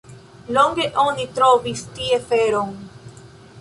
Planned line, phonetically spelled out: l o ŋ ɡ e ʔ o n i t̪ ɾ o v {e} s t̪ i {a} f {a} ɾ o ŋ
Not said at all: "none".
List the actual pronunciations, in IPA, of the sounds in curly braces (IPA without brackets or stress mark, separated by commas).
i, e, e